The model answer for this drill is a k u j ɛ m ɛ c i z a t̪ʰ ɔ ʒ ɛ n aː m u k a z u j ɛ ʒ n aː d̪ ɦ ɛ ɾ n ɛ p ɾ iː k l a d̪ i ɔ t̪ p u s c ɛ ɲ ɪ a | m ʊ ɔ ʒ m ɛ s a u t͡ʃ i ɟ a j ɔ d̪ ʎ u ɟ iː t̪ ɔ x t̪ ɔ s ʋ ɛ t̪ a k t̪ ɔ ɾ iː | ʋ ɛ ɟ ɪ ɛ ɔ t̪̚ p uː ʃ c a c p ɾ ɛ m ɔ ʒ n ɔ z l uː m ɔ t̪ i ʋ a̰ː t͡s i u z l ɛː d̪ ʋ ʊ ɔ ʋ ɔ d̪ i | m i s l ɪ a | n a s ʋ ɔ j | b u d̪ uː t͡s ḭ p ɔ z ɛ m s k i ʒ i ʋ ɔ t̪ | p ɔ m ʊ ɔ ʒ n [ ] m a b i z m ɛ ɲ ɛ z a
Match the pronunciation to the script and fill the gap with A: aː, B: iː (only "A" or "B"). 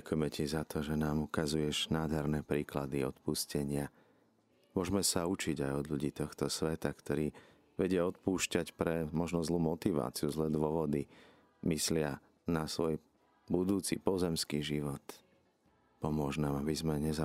A